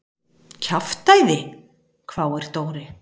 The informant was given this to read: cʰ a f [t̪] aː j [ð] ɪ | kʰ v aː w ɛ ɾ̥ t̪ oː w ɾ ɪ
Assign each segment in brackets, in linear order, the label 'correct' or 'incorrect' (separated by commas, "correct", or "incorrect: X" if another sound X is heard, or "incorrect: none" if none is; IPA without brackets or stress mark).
correct, correct